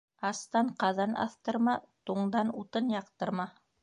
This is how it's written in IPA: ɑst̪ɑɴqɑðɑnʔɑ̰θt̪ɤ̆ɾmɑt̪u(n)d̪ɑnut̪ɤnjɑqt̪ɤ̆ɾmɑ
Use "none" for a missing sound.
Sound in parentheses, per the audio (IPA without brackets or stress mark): ɴ